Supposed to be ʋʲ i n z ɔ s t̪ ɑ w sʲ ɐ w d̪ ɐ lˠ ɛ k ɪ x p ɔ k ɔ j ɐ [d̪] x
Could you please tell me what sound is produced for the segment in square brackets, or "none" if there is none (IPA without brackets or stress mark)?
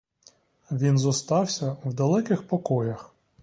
none